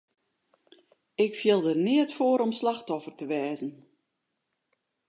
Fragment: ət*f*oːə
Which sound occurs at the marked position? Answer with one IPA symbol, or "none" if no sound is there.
f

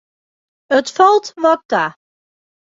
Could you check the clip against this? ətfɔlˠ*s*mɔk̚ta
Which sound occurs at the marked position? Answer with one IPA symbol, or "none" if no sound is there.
t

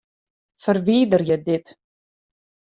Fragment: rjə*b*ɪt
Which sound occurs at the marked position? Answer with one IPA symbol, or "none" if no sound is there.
d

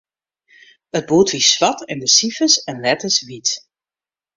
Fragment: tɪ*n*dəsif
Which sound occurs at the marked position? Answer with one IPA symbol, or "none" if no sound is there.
n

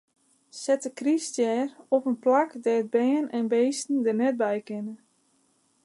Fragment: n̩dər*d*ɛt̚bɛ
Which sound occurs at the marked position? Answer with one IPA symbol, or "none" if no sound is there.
n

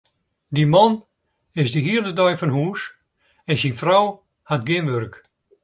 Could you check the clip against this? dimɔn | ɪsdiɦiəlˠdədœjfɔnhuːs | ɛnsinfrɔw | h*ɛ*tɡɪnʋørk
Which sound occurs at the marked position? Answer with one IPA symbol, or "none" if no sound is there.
a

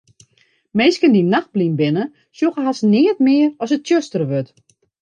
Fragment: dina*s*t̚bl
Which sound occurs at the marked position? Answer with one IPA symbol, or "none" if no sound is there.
x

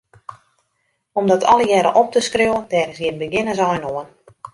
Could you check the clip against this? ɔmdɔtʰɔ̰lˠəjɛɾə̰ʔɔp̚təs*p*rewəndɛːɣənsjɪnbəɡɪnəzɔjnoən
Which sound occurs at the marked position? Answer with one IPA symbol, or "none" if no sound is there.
k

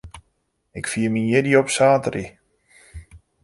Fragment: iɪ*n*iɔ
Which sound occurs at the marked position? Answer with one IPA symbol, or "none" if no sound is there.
d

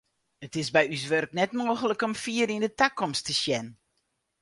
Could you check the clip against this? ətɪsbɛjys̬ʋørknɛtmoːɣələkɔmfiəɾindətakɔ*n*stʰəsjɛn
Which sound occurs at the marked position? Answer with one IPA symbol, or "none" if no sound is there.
m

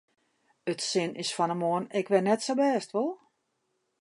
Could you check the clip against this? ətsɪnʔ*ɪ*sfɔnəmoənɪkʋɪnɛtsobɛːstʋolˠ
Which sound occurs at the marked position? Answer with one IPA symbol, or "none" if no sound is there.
ɪ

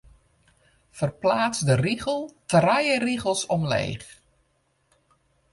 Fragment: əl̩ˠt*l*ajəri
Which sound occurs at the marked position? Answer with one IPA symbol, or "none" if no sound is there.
r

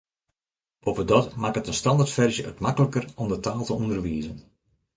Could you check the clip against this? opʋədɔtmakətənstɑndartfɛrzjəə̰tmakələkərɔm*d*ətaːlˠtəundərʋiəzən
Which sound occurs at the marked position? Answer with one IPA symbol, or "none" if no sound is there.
d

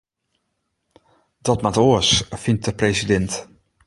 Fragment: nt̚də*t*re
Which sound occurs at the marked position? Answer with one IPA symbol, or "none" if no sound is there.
p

